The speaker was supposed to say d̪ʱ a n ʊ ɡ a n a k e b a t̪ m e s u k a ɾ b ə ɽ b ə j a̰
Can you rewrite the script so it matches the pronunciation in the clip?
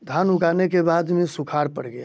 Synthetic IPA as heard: d̪ʱ a n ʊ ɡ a n e k e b a d̪ m e s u kʰ a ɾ p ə ɽ ɡ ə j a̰